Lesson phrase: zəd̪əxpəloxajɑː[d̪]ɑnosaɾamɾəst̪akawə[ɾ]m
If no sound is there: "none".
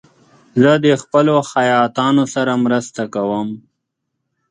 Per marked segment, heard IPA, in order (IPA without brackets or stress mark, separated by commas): t̪, none